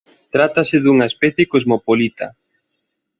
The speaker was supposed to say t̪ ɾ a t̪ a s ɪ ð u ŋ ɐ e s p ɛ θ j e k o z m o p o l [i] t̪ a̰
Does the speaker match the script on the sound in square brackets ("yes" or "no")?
yes